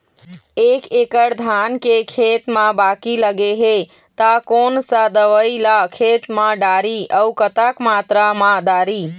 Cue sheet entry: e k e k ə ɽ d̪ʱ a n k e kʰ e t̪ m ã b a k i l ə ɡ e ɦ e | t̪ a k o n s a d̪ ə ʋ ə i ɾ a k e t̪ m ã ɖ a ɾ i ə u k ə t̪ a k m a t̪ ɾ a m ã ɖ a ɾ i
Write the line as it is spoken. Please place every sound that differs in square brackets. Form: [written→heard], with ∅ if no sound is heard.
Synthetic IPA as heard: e k e k ə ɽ d̪ʱ a n k e kʰ e t̪ m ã b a k i l ə ɡ e ɦ e | t̪ a k o n s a d̪ ə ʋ ə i [ɾ→l] a [k→kʰ] e t̪ m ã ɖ a ɾ i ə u k ə t̪ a k m a t̪ ɾ a m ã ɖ a ɾ i